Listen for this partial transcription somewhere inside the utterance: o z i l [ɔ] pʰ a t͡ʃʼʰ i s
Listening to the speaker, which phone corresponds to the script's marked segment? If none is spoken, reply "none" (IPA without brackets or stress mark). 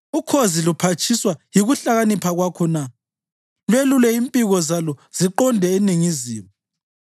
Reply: u